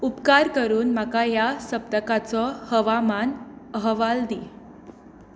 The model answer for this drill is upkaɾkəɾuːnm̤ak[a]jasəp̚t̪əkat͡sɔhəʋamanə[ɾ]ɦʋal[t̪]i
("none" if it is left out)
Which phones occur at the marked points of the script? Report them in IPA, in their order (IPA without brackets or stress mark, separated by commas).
a, none, d̪